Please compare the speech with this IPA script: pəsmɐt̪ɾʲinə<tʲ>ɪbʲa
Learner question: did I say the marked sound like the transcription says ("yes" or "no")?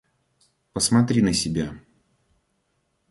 no